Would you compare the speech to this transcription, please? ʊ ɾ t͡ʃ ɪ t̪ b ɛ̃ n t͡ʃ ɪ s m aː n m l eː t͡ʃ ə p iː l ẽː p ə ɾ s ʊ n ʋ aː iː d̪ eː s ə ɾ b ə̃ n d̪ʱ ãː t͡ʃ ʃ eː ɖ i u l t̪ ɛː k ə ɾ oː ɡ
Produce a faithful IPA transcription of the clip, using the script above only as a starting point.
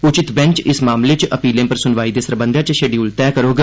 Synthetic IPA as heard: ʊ t͡ʃ ɪ t̪ b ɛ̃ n t͡ʃ ɪ s m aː m l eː t͡ʃ ə p iː l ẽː p ə ɾ s ʊ n ʋ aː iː d̪ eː s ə ɾ b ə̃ n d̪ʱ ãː t͡ʃ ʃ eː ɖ i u l t̪ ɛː k ə ɾ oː ɡ